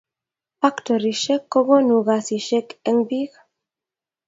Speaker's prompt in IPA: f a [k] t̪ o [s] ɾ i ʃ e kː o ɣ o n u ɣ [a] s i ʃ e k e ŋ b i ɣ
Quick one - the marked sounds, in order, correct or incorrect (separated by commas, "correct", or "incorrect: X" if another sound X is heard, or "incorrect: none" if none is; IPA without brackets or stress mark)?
correct, incorrect: none, correct